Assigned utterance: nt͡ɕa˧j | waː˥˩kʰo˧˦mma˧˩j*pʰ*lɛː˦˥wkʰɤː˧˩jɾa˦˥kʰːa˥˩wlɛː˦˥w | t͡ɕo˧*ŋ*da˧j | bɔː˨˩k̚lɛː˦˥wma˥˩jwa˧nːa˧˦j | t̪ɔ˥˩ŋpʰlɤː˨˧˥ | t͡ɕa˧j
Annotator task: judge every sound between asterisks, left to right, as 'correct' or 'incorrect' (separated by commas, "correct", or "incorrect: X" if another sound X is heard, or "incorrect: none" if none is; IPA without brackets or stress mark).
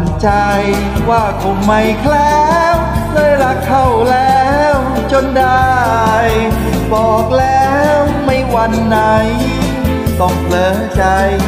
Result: incorrect: kʰ, incorrect: n